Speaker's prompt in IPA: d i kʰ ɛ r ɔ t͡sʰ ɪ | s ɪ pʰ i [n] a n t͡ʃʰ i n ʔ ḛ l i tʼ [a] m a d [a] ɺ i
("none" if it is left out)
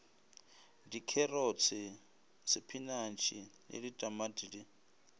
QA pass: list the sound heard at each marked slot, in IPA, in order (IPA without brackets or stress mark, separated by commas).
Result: n, a, i